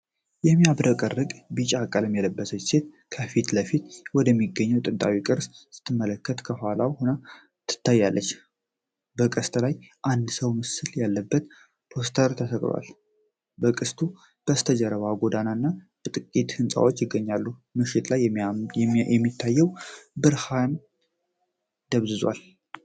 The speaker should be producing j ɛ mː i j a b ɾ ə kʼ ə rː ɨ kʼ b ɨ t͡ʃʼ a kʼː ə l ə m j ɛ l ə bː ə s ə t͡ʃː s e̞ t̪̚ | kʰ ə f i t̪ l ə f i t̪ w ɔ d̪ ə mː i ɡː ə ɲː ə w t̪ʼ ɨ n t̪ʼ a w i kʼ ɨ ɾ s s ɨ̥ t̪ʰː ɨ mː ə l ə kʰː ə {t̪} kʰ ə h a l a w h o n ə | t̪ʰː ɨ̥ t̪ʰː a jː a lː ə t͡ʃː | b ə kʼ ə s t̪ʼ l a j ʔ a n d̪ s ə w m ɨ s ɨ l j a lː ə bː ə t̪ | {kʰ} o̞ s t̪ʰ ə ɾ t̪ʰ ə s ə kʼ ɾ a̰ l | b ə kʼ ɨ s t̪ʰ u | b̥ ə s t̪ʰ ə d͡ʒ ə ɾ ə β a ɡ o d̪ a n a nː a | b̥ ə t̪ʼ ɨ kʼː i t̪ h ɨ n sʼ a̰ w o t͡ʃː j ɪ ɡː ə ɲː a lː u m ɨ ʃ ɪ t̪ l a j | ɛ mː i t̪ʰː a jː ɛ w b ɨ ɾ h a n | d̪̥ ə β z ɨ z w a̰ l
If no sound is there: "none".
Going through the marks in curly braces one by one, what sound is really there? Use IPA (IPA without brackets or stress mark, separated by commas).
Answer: t̪, pʰ